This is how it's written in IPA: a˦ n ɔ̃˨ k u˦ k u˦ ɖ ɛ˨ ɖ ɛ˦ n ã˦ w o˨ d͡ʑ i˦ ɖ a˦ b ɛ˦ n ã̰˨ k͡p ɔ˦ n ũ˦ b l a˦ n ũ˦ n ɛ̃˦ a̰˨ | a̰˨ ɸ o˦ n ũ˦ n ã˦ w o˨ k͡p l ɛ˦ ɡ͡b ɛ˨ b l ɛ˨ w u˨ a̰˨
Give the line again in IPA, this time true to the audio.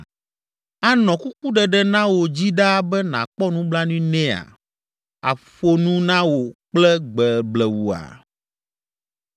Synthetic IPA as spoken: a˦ n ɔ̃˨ k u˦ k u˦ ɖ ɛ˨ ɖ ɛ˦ n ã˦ w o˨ d͡ʑ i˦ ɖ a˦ b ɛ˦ n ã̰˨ k͡p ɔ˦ n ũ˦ b l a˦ n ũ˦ n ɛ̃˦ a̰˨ | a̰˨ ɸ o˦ n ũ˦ n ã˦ w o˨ k͡p l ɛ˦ ɡ͡b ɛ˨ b l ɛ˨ w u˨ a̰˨

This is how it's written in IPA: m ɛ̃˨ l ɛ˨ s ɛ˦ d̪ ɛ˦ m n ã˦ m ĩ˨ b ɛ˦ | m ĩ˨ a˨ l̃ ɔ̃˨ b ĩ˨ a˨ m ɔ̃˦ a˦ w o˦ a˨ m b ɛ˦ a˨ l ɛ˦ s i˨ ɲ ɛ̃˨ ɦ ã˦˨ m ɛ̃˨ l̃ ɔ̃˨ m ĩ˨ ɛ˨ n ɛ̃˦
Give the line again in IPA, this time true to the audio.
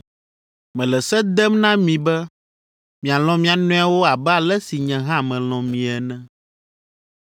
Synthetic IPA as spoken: m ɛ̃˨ l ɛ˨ s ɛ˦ d̪ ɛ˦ m n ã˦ m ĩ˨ b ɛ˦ | m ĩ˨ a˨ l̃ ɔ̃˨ m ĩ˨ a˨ n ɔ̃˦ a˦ w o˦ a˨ b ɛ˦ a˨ l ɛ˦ s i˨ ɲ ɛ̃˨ ɦ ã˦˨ m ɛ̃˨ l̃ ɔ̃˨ m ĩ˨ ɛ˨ n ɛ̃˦

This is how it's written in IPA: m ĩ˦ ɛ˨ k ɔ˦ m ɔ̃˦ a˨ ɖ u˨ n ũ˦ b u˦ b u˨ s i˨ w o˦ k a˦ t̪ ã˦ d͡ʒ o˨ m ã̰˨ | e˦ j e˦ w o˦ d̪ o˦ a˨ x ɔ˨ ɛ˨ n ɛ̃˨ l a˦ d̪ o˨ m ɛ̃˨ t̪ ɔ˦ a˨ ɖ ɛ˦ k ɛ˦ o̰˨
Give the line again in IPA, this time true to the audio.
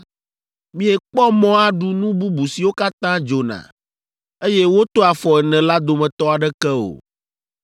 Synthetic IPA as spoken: m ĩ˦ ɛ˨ k͡p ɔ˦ m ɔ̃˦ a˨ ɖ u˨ n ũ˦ b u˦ b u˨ s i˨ w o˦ k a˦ t̪ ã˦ d͡ʒ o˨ n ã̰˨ | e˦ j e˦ w o˦ t̪ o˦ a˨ f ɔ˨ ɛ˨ n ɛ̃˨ l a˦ d̪ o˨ m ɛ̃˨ t̪ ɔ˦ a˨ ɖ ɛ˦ k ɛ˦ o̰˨

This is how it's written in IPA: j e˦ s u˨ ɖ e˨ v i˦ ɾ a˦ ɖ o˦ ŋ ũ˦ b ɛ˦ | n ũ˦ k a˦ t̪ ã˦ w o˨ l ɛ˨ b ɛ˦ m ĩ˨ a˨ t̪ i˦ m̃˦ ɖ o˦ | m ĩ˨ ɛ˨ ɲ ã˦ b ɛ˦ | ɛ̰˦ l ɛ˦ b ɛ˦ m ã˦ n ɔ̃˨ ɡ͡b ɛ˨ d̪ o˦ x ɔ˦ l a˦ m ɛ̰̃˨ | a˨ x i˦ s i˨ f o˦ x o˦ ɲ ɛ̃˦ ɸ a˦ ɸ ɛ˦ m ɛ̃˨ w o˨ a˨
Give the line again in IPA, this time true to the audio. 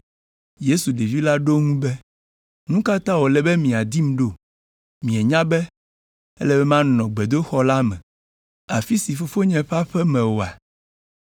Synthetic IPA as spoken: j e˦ s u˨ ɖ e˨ v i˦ l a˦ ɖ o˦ ŋ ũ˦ b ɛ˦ | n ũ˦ k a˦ t̪ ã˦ w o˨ l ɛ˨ b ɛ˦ m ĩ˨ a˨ d̪ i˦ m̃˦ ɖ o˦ | m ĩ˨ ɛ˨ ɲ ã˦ b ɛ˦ | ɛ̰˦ l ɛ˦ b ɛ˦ m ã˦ n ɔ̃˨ ɡ͡b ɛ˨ d̪ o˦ x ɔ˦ l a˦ m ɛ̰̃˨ | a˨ f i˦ s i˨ f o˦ f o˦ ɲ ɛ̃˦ ɸ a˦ ɸ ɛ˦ m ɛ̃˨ w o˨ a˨

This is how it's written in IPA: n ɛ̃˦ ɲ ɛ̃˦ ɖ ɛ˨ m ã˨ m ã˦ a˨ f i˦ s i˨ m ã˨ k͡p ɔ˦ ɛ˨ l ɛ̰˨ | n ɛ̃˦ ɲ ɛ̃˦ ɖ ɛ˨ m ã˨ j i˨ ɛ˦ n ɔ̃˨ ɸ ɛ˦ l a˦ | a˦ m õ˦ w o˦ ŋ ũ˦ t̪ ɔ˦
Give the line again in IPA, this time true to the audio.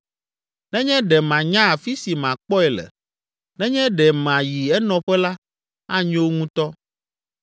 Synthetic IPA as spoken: n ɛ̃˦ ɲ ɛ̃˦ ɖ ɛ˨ m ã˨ ɲ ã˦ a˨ f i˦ s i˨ m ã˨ k͡p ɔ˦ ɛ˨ l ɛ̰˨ | n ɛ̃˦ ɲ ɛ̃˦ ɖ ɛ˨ m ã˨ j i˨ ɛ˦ n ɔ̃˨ ɸ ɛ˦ l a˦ | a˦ ɲ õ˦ w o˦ ŋ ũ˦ t̪ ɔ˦

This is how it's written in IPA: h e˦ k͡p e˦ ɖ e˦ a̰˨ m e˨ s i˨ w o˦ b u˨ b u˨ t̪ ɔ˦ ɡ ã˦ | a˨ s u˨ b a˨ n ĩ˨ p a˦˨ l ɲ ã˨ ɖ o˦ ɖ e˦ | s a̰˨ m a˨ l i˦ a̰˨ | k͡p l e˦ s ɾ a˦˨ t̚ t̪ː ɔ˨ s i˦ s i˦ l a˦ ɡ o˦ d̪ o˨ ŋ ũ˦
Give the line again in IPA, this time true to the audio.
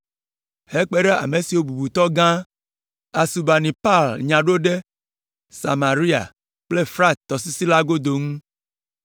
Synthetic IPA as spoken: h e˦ k͡p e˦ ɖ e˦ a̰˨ m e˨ s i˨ w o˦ b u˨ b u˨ t̪ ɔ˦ ɡ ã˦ | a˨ s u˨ b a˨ n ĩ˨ p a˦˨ l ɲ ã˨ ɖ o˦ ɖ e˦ | s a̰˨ m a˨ ɾ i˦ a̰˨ | k͡p l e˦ f ɾ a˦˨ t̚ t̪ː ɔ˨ s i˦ s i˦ l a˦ ɡ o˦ d̪ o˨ ŋ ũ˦

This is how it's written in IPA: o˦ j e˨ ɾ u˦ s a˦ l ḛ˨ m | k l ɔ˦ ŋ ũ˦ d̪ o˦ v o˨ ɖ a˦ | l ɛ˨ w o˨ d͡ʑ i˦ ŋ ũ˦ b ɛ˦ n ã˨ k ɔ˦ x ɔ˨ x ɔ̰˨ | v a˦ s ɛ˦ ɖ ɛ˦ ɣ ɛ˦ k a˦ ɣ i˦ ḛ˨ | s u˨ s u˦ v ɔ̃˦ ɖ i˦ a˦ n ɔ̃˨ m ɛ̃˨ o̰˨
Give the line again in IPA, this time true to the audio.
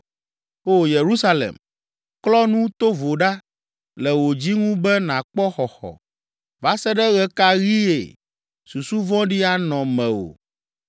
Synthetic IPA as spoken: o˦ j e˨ ɾ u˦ s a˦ l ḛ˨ m | k l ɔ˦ n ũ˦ t̪ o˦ v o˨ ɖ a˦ | l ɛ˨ w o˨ d͡ʑ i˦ ŋ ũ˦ b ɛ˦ n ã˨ k͡p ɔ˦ x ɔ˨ x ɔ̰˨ | v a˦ s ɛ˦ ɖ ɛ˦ ɣ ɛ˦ k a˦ ɣ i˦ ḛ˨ | s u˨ s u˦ v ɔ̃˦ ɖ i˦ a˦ n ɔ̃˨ m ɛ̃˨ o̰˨

